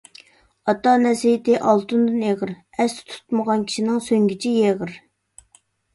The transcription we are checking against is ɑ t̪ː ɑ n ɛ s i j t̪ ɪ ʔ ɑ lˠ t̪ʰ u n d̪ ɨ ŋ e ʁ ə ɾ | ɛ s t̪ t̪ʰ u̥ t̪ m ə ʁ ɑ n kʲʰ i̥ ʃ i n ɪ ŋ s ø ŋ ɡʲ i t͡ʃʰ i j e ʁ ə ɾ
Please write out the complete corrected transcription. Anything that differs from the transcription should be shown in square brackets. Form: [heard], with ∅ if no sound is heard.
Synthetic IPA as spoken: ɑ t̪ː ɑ n ɛ s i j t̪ ɪ ʔ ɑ lˠ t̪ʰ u n d̪ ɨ [n] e ʁ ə ɾ | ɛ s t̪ t̪ʰ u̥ t̪ m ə ʁ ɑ n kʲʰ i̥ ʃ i n ɪ ŋ s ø ŋ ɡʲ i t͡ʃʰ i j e ʁ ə ɾ